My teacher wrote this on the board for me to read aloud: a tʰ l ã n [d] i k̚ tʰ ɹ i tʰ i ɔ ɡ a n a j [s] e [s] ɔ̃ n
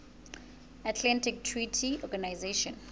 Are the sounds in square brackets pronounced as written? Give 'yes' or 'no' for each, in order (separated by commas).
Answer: no, no, no